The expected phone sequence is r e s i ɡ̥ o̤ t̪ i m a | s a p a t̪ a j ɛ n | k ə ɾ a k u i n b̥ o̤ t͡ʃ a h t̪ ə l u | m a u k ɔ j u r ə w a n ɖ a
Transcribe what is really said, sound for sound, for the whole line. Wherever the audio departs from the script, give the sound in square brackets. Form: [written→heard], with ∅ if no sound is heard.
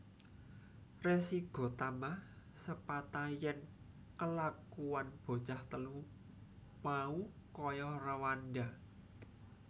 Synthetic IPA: r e s i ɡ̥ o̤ t̪ [i→a] m a | s [a→ə] p a t̪ a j ɛ n | k ə [ɾ→l] a k u [i→a] n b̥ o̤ t͡ʃ a h t̪ ə l u | m a u k ɔ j [u→ɔ] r ə w a n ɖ a